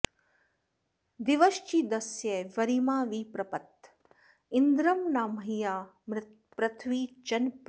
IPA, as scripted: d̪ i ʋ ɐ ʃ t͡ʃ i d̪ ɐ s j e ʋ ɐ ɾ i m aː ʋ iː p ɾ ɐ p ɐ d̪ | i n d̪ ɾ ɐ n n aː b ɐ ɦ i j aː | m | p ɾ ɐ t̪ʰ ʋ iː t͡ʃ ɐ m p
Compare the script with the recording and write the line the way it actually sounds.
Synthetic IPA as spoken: d̪ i ʋ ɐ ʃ t͡ʃ i d̪ ɐ s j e ʋ ɐ ɾ i m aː ʋ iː p ɾ ɐ p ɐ t̪ | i n d̪ ɾ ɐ m n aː m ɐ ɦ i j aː | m | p ɾ ɐ t̪ʰ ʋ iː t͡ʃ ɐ n p

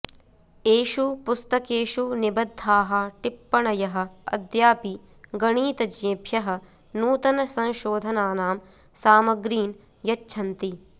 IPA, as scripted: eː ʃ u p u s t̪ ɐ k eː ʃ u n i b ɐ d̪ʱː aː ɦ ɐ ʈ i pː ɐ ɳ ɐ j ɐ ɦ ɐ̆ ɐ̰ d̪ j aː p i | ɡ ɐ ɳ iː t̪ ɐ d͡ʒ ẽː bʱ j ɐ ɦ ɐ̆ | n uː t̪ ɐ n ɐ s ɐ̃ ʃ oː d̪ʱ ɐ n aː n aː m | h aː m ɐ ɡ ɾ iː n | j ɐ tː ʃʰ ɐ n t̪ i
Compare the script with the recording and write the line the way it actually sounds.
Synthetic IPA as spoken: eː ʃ u p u s t̪ ɐ k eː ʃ u n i b ɐ d̪ʱː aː ɦ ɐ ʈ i pː ɐ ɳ ɐ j ɐ ɦ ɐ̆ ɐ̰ d̪ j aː p i | ɡ ɐ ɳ iː t̪ ɐ d͡ʒ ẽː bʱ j ɐ ɦ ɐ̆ | n uː t̪ ɐ n ɐ s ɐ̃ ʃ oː d̪ʱ ɐ n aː n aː m | s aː m ɐ ɡ ɾ iː n | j ɐ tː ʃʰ ɐ n t̪ i

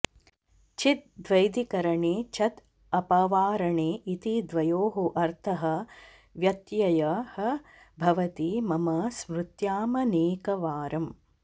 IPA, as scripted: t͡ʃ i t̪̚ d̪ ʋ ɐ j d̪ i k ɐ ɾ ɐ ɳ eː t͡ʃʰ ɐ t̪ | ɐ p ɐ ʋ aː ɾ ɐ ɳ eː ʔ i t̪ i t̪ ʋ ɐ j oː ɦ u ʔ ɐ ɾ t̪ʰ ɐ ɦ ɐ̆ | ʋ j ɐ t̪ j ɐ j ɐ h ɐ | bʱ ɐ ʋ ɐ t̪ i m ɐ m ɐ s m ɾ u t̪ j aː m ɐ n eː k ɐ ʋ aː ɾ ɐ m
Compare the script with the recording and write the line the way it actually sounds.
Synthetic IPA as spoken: t͡ʃ i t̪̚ d̪ ʋ ɐ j d̪ i k ɐ ɾ ɐ ɳ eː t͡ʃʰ ɐ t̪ | ɐ p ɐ ʋ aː ɾ ɐ ɳ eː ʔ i t̪ i d̪ ʋ ɐ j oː ɦ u ʔ ɐ ɾ t̪ʰ ɐ ɦ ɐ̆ | ʋ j ɐ t̪ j ɐ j ɐ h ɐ | bʱ ɐ ʋ ɐ t̪ i m ɐ m ɐ s m ɾ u t̪ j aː m ɐ n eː k ɐ ʋ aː ɾ ɐ m

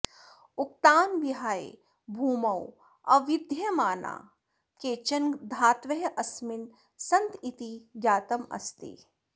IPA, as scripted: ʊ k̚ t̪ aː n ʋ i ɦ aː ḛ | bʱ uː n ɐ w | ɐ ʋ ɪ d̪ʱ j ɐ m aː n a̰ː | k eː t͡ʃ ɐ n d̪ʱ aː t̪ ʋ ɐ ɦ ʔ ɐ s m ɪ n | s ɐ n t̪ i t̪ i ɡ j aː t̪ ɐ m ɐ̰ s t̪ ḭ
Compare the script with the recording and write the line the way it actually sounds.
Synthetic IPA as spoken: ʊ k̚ t̪ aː n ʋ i ɦ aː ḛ | bʱ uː m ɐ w | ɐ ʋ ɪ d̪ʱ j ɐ m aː n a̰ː | k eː t͡ʃ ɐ n d̪ʱ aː t̪ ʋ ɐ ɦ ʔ ɐ s m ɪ n | s ɐ n t̪ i t̪ i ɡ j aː t̪ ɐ m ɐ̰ s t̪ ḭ

